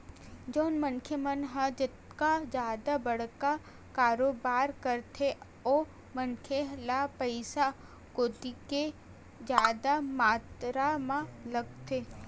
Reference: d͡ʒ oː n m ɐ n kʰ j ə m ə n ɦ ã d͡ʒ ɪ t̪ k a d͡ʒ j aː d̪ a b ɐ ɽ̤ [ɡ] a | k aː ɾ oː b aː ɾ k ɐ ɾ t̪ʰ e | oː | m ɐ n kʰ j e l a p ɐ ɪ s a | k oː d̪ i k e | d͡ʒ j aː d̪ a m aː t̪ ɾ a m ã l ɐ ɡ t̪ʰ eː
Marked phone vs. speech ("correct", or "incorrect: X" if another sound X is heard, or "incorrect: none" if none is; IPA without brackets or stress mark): incorrect: k